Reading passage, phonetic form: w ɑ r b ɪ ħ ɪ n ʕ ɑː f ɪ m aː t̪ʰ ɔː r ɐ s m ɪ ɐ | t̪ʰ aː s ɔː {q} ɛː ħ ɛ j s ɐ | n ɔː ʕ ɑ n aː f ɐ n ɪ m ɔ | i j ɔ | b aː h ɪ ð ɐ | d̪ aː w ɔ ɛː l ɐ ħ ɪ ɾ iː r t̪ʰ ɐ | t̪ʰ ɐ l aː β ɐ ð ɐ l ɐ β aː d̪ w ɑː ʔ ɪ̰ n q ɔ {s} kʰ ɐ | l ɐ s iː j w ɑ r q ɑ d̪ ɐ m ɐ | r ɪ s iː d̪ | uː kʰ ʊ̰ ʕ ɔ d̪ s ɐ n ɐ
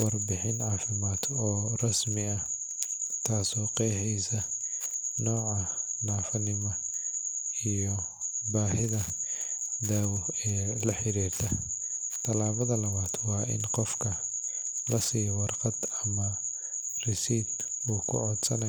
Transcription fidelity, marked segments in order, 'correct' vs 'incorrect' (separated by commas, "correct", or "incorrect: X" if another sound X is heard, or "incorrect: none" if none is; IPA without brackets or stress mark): correct, incorrect: f